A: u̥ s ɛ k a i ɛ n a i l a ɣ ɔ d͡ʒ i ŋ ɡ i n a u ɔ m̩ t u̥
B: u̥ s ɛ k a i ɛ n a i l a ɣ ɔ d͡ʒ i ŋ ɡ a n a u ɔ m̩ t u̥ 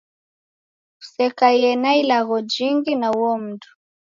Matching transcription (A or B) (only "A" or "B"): A